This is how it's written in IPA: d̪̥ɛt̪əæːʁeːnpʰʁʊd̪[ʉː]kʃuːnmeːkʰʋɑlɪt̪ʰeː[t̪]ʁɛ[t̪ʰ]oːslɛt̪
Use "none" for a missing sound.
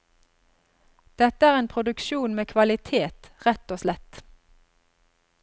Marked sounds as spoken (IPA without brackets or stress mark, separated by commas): ʉ, t̪, t̪